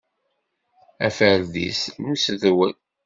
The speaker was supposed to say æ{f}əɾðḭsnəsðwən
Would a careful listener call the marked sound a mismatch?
no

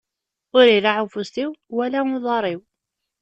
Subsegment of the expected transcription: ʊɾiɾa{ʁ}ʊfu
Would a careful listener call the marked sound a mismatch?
yes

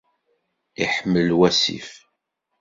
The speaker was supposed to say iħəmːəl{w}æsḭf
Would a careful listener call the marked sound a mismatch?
no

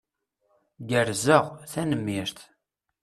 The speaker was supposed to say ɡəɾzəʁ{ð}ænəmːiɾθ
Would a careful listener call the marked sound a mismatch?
yes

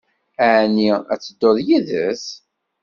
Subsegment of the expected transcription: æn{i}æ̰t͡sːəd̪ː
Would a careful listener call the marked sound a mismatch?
no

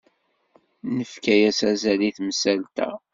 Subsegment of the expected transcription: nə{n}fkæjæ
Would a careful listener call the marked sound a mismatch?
yes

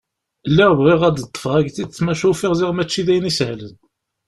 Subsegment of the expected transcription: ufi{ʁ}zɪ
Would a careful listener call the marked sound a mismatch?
no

